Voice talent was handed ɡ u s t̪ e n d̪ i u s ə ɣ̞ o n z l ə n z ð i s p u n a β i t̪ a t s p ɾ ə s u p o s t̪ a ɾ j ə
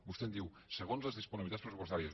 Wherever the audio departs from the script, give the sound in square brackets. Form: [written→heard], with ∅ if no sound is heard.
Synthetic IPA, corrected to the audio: [ɡ→b] u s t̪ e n d̪ i [u→w] s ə ɣ̞ o n z l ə [n→∅] z ð i s p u n [a→i] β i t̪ a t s p ɾ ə s u p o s t̪ a ɾ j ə